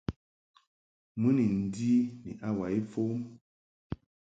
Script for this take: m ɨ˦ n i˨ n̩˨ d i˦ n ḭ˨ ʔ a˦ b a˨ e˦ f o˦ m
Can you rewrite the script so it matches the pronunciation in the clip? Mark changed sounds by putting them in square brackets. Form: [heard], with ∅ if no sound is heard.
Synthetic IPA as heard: m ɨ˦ n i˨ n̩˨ d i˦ n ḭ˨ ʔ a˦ [w] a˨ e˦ f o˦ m